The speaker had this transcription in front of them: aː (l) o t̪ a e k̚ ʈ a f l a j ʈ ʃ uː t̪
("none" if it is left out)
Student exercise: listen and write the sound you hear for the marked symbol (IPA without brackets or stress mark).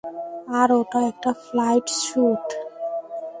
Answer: ɾ